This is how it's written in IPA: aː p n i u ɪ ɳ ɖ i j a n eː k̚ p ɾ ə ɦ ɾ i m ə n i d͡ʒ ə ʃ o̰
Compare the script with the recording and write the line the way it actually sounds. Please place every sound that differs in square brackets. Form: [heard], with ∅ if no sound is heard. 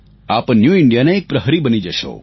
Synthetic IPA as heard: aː p n [j] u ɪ ɳ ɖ i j a n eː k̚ p ɾ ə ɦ ɾ i [b] ə n i d͡ʒ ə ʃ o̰

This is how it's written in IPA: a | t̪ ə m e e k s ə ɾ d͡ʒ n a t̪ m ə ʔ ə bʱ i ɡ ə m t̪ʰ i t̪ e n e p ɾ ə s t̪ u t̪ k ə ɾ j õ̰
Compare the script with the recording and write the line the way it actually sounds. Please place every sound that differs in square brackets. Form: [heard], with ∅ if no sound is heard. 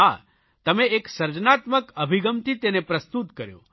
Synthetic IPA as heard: a | t̪ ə m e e k s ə ɾ d͡ʒ n a t̪ m ə [k] ə bʱ i ɡ ə m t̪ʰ i t̪ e n e p ɾ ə s t̪ u t̪ k ə ɾ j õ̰

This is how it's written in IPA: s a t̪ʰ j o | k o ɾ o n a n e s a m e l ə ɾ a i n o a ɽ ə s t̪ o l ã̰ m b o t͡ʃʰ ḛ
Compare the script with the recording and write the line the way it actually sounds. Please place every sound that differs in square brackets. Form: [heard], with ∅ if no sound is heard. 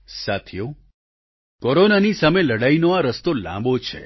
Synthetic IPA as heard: s a t̪ʰ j o | k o ɾ o n a n [i] s a m e l ə [ɽ] a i n o a [ɾ] ə s t̪ o l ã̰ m b o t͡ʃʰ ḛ

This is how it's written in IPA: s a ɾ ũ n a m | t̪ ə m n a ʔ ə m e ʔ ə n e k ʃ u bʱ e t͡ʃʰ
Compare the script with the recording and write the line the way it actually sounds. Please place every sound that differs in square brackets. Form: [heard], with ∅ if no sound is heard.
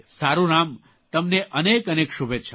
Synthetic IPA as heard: s a ɾ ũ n a m | t̪ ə m n [e] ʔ ə [n] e [k] ə n e k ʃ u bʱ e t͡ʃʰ

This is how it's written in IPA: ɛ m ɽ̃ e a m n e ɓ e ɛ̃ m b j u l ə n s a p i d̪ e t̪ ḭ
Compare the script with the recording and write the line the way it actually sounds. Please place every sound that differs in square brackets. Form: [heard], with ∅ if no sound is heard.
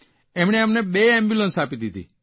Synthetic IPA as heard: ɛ m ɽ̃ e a m n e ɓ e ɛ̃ m b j u l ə n s a p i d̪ [i] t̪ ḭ

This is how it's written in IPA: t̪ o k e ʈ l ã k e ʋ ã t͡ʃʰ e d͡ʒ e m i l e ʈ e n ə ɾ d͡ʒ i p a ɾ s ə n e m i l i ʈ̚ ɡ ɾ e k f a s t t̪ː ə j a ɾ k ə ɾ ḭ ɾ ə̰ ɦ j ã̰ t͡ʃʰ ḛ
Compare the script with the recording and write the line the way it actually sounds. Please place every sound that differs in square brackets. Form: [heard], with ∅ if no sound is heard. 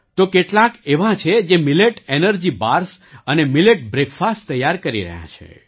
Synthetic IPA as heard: t̪ o k e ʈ l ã k e ʋ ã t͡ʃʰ e d͡ʒ e m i l e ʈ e n ə ɾ d͡ʒ i [b] a ɾ s ə n e m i l [e] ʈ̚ [b] ɾ e k f a s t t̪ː ə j a ɾ k ə ɾ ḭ ɾ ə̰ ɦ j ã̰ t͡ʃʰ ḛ

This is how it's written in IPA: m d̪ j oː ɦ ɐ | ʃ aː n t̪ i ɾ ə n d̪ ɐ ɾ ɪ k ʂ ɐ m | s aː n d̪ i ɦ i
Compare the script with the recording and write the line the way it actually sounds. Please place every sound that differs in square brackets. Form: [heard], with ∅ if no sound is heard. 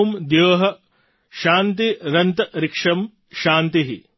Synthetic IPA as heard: m d̪ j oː ɦ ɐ | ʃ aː n t̪ i ɾ [ɐ] n [t̪] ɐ ɾ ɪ k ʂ ɐ m | [ʃ] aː n [t̪] i ɦ i

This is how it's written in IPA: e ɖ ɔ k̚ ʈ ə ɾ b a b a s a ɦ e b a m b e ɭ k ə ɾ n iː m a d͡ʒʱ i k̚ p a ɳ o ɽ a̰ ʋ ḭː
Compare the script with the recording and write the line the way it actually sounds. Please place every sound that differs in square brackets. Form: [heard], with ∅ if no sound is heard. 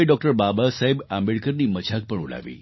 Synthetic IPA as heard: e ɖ ɔ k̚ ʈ ə ɾ b a b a s a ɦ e b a m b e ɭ k ə ɾ n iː m [ə] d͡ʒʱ [a] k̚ p [ə] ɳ [u] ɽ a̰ ʋ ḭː

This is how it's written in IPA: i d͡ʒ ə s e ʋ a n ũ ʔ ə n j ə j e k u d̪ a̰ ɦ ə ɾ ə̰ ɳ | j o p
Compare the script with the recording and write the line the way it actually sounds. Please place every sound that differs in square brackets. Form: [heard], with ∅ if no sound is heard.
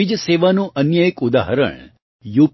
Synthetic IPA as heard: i d͡ʒ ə s e ʋ a n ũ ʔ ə n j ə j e k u d̪ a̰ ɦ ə ɾ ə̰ ɳ | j [u] p

